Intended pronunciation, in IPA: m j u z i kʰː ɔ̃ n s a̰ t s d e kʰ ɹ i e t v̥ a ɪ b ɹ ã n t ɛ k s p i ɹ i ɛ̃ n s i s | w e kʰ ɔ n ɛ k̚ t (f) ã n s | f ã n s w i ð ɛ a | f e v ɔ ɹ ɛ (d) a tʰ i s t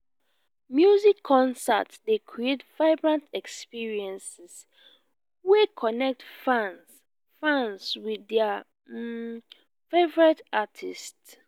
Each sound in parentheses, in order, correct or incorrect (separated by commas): correct, incorrect